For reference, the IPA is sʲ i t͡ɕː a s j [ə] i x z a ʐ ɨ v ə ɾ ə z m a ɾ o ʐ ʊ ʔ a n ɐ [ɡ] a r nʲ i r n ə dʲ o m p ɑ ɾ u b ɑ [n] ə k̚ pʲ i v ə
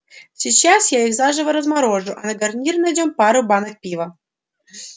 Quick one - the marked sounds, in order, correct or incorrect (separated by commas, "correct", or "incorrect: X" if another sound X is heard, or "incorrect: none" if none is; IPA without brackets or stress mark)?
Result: incorrect: a, correct, correct